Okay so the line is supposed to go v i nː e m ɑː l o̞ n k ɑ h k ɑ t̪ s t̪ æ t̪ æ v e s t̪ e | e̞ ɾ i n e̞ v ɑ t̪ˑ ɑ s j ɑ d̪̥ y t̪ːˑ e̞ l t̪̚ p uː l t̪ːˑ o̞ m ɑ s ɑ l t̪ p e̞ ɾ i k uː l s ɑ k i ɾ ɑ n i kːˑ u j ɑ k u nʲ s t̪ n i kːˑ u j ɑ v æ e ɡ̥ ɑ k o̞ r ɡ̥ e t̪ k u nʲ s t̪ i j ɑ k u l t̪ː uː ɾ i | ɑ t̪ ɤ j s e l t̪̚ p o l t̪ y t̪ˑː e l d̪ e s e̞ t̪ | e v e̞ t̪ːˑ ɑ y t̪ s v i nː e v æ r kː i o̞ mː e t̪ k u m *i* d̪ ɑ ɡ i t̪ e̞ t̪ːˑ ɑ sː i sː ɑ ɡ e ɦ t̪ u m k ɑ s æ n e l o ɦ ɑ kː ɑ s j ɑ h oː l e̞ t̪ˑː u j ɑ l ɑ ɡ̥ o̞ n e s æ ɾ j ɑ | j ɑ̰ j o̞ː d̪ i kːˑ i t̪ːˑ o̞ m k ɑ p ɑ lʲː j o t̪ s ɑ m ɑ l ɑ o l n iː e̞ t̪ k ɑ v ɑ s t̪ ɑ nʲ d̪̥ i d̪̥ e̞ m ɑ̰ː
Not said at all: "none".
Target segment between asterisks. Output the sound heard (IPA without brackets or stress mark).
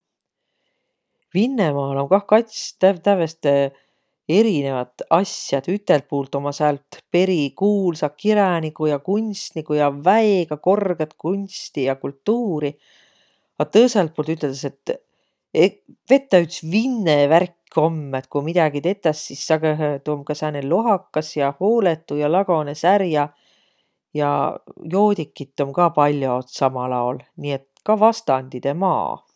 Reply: i